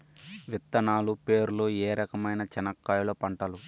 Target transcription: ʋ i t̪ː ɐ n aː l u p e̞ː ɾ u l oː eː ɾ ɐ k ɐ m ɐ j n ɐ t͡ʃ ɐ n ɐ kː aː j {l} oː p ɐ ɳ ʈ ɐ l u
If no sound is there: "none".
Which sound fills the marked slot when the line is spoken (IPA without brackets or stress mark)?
l